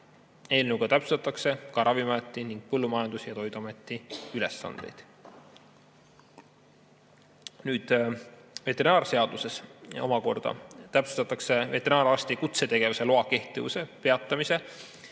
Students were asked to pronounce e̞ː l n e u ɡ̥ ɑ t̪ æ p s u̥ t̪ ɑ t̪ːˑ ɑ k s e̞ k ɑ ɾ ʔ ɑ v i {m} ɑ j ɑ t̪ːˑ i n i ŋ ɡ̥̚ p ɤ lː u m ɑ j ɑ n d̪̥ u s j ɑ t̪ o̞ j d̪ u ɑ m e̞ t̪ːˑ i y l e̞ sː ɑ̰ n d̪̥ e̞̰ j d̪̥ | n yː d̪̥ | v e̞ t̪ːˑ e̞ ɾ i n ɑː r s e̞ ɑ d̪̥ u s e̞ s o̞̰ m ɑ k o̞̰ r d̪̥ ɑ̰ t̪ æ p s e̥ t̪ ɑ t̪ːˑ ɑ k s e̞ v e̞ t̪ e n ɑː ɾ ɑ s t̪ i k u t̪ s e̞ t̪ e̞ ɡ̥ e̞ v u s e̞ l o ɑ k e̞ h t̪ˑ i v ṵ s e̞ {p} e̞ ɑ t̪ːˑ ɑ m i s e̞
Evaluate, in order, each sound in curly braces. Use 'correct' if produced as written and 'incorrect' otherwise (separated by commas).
correct, correct